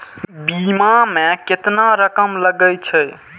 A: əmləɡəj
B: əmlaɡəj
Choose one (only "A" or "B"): A